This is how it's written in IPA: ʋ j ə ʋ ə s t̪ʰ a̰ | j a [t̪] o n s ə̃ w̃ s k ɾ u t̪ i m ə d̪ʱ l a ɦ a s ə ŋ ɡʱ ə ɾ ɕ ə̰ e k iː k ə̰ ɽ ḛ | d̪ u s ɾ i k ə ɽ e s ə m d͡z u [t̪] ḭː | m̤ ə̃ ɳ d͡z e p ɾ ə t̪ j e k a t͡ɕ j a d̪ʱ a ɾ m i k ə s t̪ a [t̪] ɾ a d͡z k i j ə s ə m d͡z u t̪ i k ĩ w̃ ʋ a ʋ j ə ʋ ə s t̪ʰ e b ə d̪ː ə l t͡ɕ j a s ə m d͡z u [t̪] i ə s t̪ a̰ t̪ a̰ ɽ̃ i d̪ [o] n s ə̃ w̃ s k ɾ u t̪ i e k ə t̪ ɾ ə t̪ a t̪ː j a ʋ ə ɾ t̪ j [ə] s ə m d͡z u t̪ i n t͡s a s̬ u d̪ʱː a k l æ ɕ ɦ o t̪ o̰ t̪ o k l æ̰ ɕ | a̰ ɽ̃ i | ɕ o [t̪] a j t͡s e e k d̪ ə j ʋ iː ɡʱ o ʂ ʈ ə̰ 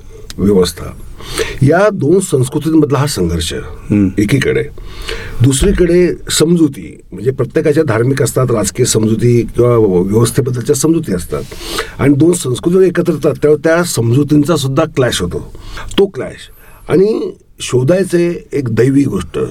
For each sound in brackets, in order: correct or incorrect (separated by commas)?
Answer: incorrect, correct, correct, correct, correct, incorrect, incorrect